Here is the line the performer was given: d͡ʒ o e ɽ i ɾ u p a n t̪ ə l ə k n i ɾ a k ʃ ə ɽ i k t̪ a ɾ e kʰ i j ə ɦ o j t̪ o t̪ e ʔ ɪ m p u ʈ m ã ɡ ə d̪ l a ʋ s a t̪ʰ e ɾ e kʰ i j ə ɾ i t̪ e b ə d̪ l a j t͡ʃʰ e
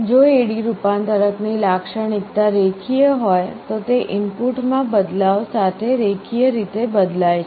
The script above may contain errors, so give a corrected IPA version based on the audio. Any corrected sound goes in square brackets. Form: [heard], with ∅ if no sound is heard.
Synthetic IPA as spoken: d͡ʒ o e ɽ i ɾ u p a n t̪ ə [ɾ] ə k n i [l] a k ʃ ə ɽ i k t̪ a ɾ e kʰ i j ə ɦ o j t̪ o t̪ e ʔ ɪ m p u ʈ m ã [b] ə d̪ l a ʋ s a t̪ʰ e ɾ e kʰ i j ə ɾ i t̪ e b ə d̪ l a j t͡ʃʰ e